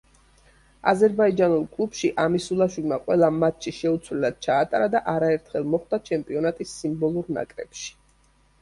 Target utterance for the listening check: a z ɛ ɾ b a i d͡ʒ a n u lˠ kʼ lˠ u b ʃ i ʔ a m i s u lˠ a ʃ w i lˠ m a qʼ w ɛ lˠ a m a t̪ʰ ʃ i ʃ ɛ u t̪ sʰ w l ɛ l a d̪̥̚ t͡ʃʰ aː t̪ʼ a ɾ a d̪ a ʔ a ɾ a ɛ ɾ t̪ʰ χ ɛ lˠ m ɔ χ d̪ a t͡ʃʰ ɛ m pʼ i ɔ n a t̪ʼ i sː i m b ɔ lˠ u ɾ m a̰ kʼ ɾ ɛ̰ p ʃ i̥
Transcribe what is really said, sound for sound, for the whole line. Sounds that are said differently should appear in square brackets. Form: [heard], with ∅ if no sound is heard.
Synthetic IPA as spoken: a z ɛ ɾ b a i d͡ʒ a n u lˠ kʼ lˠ u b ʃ i ʔ a m i s u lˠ a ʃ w i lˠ m a qʼ w ɛ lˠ a m a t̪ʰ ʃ i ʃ ɛ u t̪ sʰ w l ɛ l a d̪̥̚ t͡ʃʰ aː t̪ʼ a ɾ a d̪ a ʔ a ɾ a ɛ ɾ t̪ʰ χ ɛ lˠ m ɔ χ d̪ a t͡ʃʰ ɛ m pʼ i ɔ n a t̪ʼ i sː i m b ɔ lˠ u ɾ [n] a̰ kʼ ɾ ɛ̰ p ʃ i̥